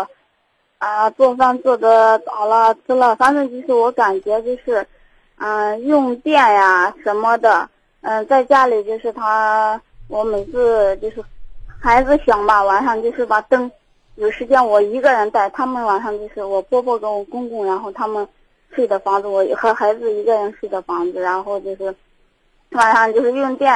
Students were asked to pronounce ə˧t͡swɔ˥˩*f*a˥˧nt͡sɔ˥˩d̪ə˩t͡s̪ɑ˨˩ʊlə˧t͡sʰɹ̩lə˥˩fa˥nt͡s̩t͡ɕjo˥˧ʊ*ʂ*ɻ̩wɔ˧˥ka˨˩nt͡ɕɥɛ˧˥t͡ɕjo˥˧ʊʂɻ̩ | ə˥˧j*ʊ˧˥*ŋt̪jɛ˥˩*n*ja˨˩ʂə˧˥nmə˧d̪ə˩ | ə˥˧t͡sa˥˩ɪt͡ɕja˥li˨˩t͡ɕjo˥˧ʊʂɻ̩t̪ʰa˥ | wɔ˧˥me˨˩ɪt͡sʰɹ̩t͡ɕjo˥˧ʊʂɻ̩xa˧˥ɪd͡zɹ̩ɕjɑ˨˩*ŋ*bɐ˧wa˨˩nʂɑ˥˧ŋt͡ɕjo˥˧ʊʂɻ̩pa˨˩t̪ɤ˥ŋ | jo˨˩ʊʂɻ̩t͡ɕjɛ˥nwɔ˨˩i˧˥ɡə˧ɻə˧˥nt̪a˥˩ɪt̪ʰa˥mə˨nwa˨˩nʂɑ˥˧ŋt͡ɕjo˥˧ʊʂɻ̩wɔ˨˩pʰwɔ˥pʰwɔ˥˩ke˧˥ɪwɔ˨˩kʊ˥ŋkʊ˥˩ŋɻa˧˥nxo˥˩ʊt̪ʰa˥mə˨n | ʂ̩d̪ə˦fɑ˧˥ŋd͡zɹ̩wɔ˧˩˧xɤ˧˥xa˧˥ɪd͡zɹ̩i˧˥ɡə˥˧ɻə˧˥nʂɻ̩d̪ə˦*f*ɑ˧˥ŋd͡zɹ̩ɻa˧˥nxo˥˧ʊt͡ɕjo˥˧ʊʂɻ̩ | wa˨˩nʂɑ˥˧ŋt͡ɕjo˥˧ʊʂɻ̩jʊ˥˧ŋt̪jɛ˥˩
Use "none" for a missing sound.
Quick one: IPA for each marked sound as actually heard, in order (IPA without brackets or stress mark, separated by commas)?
f, ʂ, ʊ˥˧, n, ŋ, f